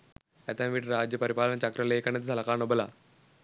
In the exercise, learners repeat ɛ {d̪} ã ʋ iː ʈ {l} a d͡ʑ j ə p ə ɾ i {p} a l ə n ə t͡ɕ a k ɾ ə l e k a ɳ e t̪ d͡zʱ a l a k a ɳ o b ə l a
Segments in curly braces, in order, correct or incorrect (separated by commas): incorrect, incorrect, correct